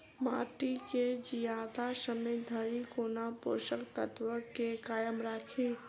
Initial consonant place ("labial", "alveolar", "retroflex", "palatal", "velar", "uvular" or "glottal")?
labial